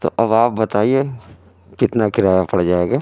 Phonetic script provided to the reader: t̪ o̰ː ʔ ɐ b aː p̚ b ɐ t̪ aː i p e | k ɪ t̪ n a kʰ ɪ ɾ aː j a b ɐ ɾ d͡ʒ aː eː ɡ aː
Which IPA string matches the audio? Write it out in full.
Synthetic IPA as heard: t̪ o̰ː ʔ ɐ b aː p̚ b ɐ t̪ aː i e | k ɪ t̪ n a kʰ ɪ ɾ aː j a p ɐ ɽ d͡ʒ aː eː ɡ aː

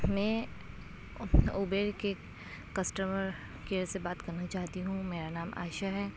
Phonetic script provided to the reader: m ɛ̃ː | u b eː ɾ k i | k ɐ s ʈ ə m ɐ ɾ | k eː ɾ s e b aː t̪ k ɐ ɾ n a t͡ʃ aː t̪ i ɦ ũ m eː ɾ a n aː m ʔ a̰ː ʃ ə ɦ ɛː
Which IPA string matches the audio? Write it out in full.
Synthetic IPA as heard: m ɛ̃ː | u b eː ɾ k e | k ɐ s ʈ ə m ə ɾ | k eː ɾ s e b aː t̪ k ɐ ɾ n a t͡ʃ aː t̪ i ɦ ũ m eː ɾ a n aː m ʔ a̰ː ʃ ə ɦ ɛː

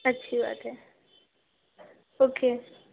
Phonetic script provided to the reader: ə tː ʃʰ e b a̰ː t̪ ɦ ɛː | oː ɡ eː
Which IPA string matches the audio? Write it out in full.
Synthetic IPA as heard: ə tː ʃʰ i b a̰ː t̪ ɦ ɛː | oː k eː

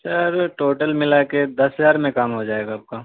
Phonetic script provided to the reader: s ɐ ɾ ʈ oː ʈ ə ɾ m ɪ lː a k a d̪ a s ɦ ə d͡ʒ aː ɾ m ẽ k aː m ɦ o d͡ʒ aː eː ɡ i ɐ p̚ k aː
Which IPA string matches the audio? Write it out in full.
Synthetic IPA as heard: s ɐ ɾ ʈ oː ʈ ə l m ɪ l a k e d̪ ɐ s ɦ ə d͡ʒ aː ɾ m ẽ k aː m ɦ o d͡ʒ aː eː ɡ a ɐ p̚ k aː

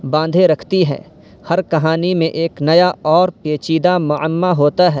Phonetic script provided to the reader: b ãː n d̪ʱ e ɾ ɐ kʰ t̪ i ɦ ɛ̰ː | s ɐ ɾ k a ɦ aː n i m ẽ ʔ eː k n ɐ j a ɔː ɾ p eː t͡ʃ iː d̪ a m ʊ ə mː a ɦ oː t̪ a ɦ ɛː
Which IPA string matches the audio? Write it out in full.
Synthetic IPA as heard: b ãː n d̪ʱ e ɾ ɐ kʰ t̪ i ɦ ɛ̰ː | h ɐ ɾ k ɐ ɦ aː n i m ẽ ʔ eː k n ɐ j a ɔː ɾ p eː t͡ʃ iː d̪ a m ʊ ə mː a ɦ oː t̪ a ɦ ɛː

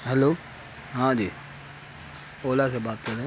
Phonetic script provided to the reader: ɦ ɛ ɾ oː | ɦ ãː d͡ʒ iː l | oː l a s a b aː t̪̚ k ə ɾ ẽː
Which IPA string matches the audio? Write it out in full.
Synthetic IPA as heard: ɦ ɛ l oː | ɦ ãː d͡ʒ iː | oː l a s e b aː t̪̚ k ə ɾ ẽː

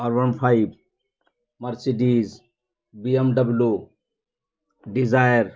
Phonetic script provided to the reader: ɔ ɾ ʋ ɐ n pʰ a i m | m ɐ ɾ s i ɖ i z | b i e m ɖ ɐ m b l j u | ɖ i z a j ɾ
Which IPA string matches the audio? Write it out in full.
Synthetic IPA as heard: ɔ ɾ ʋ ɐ n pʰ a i b | m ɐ ɾ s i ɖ i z | b i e m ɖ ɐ b l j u | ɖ i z a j ɾ

